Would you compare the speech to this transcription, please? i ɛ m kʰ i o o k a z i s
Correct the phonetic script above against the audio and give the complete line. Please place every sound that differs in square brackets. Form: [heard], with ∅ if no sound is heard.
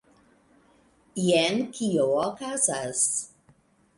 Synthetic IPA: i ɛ [n] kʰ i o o k a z [a] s

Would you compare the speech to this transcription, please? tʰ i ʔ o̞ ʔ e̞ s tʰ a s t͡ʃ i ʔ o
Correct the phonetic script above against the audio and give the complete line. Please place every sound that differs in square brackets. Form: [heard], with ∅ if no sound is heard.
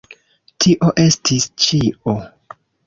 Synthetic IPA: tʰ i ʔ o̞ ʔ e̞ s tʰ [i] s t͡ʃ i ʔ o

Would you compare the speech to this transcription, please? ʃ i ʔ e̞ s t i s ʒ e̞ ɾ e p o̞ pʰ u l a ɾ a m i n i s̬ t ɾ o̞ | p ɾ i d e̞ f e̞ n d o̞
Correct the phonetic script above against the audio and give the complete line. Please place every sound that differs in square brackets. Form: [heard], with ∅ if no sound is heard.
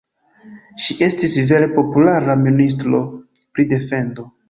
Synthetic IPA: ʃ i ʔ e̞ s t i s [v] e̞ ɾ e p o̞ [p] u l a ɾ a m i n i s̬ t ɾ o̞ | p ɾ i d e̞ f e̞ n d o̞

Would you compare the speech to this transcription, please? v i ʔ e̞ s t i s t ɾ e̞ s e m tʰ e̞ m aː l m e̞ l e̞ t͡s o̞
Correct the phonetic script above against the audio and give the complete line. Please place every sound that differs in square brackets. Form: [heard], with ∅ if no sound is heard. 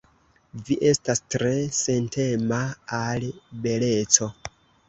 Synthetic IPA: v i ʔ e̞ s t [a] s t ɾ e̞ s e [n] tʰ e̞ m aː l [b] e̞ l e̞ t͡s o̞

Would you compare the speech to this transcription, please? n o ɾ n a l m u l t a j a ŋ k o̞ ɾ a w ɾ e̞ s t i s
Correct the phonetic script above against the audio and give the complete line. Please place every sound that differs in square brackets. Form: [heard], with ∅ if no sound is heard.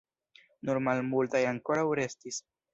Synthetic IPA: n [u] ɾ [m] a l m u l t a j a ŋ k o̞ ɾ a w ɾ e̞ s t i s

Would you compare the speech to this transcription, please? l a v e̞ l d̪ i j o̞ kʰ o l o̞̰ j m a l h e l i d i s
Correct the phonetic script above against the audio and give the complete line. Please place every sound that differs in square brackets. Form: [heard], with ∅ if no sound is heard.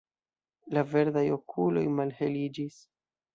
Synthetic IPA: l a v e̞ [ɾ] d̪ [a] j o̞ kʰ [u] l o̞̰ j m a l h e l i [d͡ʒ] i s

